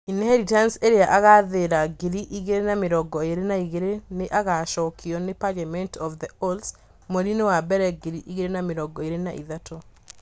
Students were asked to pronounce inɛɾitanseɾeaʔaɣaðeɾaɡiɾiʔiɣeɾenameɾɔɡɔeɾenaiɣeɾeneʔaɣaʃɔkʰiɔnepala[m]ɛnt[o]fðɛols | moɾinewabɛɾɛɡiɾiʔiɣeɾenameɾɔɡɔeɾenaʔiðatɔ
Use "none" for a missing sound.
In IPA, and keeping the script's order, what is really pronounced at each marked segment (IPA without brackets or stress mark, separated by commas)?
m, ɔ